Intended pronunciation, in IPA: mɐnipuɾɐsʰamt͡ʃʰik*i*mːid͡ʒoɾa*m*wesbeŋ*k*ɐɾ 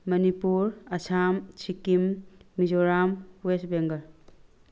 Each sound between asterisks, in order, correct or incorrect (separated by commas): correct, correct, incorrect